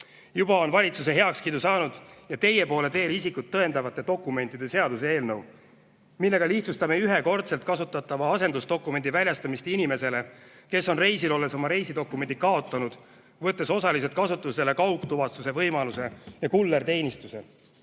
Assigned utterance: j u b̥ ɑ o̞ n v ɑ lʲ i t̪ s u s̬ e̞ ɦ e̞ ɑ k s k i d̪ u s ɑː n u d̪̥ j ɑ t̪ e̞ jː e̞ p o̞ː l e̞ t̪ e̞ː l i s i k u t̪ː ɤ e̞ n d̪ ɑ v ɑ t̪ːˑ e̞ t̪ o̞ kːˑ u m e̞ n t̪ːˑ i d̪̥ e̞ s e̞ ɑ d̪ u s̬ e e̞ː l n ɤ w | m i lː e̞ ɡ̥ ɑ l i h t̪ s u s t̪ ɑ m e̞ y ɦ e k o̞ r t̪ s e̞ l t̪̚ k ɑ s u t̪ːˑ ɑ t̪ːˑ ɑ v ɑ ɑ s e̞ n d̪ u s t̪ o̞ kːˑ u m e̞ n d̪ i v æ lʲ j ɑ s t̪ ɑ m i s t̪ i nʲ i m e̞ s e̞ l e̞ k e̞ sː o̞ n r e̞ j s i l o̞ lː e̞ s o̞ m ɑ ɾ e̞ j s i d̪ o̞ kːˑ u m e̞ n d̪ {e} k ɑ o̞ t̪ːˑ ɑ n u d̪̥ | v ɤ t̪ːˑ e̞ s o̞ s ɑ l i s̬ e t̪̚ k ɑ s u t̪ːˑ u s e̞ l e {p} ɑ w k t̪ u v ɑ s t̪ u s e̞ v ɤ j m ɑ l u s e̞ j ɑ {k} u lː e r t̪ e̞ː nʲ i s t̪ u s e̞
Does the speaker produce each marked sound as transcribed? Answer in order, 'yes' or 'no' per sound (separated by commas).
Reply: no, no, yes